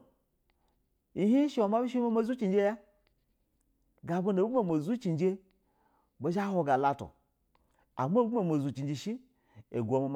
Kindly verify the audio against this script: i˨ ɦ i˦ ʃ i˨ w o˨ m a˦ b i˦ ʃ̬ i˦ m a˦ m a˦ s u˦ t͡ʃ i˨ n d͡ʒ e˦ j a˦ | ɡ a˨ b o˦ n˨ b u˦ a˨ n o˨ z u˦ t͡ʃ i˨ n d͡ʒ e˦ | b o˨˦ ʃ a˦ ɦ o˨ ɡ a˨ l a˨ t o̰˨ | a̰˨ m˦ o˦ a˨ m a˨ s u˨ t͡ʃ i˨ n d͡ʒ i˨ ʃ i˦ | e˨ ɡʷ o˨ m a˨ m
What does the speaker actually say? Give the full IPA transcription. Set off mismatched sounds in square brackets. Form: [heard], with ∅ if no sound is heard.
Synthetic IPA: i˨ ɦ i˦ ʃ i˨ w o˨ m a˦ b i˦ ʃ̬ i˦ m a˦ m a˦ [z] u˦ t͡ʃ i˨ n d͡ʒ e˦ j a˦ | ɡ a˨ b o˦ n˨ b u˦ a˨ [m] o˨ z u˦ t͡ʃ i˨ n d͡ʒ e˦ | b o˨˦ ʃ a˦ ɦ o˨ ɡ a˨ l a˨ t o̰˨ | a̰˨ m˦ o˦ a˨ m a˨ [z] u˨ t͡ʃ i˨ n d͡ʒ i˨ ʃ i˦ | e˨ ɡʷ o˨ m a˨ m